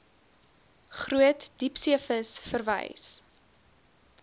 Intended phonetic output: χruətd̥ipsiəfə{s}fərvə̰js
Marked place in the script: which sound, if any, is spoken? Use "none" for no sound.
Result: s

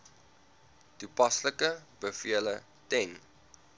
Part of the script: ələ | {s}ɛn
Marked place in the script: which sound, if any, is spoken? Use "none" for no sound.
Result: t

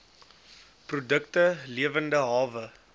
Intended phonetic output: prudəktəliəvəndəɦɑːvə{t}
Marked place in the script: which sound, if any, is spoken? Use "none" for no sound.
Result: none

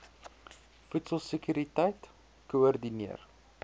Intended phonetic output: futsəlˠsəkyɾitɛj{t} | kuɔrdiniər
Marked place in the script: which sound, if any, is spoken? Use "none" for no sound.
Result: t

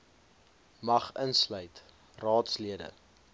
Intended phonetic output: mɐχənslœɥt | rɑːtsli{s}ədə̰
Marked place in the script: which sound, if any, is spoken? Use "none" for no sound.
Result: none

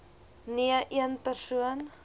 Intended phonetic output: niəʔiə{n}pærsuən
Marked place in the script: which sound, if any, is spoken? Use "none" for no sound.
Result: n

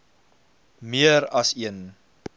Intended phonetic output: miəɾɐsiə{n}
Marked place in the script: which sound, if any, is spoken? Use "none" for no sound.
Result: n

